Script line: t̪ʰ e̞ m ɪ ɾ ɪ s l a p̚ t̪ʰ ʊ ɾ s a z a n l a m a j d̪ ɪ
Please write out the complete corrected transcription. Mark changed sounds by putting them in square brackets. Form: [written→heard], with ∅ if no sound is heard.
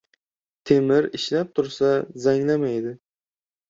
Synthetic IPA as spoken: t̪ʰ e̞ m ɪ ɾ ɪ [s→ʃ] l a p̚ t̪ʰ ʊ ɾ s a z a [n→ŋ] l a m a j d̪ ɪ

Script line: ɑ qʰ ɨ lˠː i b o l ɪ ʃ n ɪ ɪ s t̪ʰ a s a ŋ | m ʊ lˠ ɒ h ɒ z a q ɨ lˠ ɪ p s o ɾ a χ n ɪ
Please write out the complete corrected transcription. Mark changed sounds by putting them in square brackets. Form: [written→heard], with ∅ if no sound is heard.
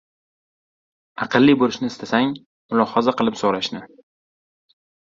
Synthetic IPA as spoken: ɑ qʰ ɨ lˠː i b o l ɪ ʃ n ɪ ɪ s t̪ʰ a s a ŋ | m ʊ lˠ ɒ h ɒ z a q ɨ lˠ ɪ p s o ɾ a [χ→ʃ] n ɪ

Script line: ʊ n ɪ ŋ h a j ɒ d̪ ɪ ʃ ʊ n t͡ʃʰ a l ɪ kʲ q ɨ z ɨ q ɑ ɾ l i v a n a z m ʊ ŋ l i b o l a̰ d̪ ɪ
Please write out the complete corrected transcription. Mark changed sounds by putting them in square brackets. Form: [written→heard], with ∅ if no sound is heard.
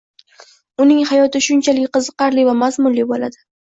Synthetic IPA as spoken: ʊ n ɪ ŋ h a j ɒ [d̪→t̪] ɪ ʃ ʊ n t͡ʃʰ a l ɪ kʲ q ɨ z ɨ q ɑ ɾ l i v a [n→m] a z m ʊ [ŋ→n] l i b o l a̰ d̪ ɪ

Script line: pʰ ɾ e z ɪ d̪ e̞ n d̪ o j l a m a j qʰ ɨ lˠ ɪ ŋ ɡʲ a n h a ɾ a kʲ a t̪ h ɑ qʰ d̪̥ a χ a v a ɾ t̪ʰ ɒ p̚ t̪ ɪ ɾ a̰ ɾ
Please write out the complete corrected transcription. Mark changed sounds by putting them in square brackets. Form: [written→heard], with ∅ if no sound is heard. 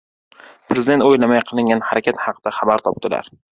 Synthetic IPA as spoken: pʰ ɾ e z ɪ d̪ e̞ n [d̪→t̪] o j l a m a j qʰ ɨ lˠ ɪ ŋ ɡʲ a n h a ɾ a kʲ a t̪ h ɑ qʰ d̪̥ a χ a [v→b] a ɾ t̪ʰ ɒ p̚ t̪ ɪ [ɾ→l] a̰ ɾ

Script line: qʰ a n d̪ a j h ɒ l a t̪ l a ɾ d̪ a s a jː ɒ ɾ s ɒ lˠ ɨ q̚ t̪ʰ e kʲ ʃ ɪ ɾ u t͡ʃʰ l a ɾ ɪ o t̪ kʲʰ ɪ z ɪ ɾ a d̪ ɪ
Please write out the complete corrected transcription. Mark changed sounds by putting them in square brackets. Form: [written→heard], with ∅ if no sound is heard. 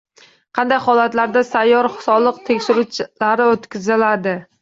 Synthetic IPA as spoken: qʰ [a→ɑ] n d̪ a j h ɒ l a t̪ l a ɾ d̪ a s a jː ɒ ɾ s ɒ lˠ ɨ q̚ t̪ʰ e kʲ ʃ ɪ ɾ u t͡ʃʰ l a ɾ ɪ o t̪ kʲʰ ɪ z ɪ [ɾ→l] a d̪ ɪ

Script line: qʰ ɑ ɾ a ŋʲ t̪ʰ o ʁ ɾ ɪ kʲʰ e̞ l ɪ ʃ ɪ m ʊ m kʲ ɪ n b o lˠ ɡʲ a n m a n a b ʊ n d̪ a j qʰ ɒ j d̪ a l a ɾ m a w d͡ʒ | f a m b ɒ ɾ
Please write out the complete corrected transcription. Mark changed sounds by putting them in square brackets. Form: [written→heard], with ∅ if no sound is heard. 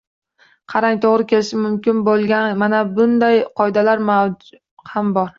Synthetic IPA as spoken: qʰ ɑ ɾ a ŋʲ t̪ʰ o ʁ ɾ ɪ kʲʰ e̞ l ɪ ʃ ɪ m ʊ m kʲ ɪ n b o lˠ ɡʲ a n m a n a b ʊ n d̪ a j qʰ ɒ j d̪ a l a ɾ m a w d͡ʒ | [f→h] a m b ɒ ɾ

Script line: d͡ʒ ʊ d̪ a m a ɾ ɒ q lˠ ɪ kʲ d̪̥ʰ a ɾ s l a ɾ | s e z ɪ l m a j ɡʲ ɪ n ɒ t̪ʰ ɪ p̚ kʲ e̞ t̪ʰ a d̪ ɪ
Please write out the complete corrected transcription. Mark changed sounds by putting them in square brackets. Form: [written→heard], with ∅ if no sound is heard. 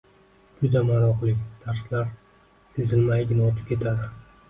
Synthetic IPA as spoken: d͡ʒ ʊ d̪ a m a ɾ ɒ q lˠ ɪ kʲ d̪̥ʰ a ɾ s l a ɾ | s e z ɪ l m a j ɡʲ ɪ n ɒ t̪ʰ ɪ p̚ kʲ e̞ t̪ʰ a d̪ ɪ

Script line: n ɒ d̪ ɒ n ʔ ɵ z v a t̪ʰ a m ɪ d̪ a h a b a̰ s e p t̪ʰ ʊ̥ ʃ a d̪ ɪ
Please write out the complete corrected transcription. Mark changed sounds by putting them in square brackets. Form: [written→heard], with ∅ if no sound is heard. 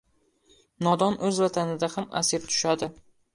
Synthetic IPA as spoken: n ɒ d̪ ɒ n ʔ ɵ z v a t̪ʰ a [m→n] ɪ d̪ a h a [b→m] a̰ s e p t̪ʰ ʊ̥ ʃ a d̪ ɪ

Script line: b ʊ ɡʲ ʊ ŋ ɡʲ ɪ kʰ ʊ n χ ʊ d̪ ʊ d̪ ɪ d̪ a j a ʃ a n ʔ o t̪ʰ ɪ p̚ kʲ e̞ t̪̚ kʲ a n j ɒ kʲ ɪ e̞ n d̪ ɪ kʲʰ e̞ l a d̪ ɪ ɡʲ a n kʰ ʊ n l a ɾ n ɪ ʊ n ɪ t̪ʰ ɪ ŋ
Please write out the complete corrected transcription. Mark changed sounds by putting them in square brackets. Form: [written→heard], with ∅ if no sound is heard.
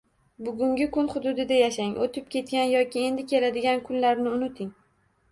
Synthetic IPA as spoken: b ʊ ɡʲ ʊ ŋ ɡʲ ɪ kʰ ʊ n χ ʊ d̪ ʊ d̪ ɪ d̪ a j a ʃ a [n→ŋ] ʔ o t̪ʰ ɪ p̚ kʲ e̞ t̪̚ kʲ a n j ɒ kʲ ɪ e̞ n d̪ ɪ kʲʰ e̞ l a d̪ ɪ ɡʲ a n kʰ ʊ n l a ɾ n ɪ ʊ n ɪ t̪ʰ ɪ ŋ

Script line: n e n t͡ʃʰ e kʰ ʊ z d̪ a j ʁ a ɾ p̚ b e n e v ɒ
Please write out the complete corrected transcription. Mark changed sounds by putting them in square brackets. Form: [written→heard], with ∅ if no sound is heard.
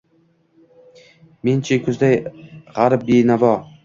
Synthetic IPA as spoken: [n→m] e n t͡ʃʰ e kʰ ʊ z d̪ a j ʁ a ɾ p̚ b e n [e→a] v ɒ

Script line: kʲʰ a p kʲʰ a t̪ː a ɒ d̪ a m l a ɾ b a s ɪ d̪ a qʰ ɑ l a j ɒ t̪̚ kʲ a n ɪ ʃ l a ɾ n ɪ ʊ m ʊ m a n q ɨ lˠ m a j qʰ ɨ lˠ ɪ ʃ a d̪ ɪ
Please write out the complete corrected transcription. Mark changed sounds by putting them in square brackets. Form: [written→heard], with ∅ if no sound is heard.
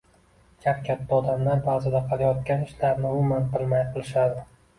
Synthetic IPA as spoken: kʲʰ a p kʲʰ a t̪ː a ɒ d̪ a m l a ɾ b a [s→z] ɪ d̪ a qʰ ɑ l a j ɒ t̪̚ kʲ a n ɪ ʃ l a ɾ n ɪ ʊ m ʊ m a n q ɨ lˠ m a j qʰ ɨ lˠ ɪ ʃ a d̪ ɪ

